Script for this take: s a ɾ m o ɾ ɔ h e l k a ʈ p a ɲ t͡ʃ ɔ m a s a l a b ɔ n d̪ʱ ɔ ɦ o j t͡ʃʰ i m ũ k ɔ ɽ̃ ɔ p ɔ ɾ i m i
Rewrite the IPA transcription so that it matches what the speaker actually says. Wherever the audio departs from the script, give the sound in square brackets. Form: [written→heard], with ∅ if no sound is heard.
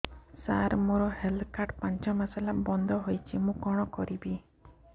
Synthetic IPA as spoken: s a ɾ m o ɾ ɔ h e l k a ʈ p a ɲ t͡ʃ ɔ m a s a l a b ɔ n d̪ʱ ɔ ɦ o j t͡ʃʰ i m ũ k ɔ ɽ̃ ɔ [p→k] ɔ ɾ i [m→b] i